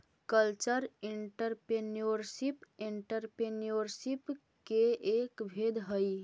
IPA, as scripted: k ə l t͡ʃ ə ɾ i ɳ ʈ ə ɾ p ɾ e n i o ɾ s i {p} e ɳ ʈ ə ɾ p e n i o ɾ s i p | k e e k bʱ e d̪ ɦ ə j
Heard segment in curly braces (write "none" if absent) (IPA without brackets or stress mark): p